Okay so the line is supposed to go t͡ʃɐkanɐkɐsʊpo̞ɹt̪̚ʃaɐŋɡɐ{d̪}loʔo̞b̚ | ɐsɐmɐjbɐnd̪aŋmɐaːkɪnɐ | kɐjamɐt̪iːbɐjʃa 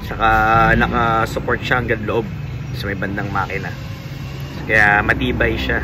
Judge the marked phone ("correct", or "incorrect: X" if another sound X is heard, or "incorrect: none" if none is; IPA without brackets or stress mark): correct